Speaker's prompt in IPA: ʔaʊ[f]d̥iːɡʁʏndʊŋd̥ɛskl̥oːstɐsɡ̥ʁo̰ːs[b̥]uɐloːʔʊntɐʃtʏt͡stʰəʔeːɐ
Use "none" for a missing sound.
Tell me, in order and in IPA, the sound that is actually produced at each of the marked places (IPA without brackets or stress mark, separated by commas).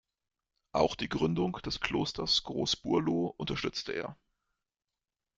x, b̥